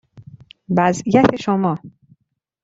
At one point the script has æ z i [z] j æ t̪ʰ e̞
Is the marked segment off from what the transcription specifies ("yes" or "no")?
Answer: yes